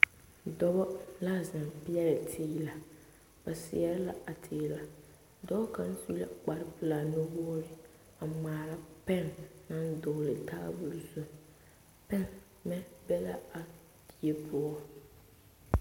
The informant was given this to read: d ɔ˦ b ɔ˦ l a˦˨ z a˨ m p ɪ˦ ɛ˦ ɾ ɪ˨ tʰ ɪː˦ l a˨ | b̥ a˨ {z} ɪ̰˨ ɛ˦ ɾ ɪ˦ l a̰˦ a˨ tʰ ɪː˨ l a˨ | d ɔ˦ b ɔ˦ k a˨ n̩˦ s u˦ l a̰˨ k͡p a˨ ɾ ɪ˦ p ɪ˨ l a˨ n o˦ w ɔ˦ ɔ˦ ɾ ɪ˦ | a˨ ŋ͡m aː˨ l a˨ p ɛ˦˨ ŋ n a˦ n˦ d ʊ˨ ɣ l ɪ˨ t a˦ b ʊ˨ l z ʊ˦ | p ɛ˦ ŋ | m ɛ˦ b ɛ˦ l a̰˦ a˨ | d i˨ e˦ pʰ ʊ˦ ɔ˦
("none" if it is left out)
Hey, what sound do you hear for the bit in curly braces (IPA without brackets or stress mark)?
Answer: s